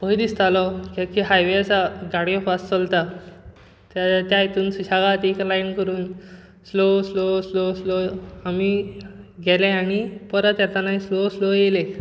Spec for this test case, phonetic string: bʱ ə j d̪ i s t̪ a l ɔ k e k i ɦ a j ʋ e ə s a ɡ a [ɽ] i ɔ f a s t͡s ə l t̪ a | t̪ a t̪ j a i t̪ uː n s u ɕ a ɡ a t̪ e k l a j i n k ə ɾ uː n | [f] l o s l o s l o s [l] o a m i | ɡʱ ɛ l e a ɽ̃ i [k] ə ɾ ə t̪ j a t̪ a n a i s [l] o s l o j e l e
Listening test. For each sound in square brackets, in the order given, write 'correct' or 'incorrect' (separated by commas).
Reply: correct, incorrect, correct, incorrect, correct